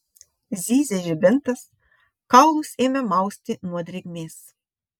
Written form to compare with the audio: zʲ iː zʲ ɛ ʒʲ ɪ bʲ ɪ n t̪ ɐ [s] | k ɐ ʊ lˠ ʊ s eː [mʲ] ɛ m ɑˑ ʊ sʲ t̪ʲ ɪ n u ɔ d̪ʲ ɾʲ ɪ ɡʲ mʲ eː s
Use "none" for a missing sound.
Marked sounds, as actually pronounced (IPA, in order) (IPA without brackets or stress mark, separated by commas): s, mʲ